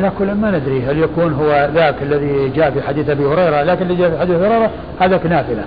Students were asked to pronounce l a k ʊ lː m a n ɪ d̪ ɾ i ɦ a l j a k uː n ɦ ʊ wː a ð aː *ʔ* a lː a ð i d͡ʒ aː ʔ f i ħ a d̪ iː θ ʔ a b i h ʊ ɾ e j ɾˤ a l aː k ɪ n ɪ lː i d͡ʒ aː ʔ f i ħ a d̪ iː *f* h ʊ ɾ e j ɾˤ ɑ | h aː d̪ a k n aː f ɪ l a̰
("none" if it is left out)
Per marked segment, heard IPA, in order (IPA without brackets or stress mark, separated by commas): k, θ